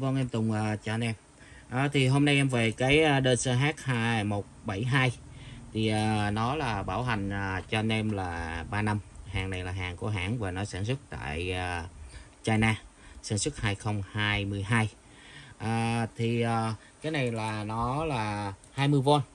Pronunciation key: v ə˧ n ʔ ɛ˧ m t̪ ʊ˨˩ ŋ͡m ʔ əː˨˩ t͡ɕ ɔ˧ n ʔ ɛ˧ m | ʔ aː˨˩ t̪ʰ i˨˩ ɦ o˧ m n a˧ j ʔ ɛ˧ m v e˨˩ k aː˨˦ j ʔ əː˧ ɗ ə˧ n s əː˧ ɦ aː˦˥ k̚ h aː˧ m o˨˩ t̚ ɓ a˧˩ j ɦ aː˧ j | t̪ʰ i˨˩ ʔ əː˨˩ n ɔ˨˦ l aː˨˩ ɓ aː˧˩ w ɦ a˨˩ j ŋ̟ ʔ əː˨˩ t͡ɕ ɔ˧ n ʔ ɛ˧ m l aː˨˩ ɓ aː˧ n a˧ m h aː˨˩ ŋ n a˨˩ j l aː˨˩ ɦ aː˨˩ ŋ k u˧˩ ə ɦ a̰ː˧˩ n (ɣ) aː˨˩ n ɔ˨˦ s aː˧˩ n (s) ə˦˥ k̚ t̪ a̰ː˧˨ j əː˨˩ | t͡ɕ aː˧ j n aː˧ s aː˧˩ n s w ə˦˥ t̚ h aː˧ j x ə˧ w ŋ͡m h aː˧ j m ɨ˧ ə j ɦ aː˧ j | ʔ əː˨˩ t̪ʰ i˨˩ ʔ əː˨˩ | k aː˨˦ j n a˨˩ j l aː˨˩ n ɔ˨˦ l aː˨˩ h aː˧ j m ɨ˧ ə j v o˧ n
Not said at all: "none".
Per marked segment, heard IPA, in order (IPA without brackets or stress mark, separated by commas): v, s